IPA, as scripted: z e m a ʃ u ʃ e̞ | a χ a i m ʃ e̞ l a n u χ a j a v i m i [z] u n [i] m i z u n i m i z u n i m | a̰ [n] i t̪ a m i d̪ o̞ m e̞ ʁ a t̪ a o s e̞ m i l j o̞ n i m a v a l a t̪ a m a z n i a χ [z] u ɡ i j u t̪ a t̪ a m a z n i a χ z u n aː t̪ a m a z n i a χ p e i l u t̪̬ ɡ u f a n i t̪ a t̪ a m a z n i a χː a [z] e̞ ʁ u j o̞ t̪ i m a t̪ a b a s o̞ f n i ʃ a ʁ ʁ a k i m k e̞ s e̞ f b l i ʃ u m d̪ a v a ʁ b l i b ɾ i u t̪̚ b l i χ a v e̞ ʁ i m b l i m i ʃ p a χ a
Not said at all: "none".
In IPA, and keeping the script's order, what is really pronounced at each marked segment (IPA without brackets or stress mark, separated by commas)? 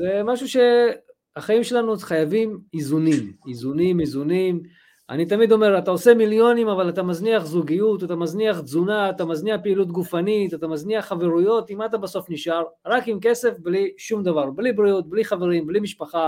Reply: z, i, n, z, v